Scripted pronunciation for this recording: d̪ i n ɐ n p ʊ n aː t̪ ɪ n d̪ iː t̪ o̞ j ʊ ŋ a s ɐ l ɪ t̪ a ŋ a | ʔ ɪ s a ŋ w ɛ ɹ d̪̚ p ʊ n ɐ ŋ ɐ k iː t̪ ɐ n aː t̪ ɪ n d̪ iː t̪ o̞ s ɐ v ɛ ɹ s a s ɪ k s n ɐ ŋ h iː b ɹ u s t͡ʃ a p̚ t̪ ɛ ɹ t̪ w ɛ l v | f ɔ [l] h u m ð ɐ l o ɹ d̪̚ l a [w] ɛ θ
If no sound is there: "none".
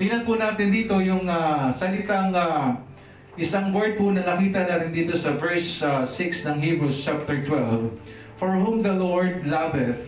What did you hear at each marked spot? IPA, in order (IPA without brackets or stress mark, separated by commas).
ɹ, b